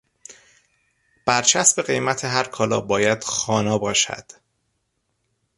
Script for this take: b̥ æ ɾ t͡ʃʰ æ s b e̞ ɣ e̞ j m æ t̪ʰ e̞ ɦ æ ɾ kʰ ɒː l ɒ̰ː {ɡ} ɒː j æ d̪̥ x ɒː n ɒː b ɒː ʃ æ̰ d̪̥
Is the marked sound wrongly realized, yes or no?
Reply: yes